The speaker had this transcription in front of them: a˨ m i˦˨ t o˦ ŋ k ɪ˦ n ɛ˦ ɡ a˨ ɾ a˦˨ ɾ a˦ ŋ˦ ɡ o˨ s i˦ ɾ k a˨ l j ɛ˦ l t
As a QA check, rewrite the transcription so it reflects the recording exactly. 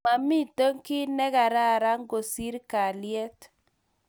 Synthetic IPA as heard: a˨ m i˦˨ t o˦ ŋ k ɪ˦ n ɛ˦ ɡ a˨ ɾ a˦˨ ɾ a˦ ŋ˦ ɡ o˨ s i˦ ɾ k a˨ l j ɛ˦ t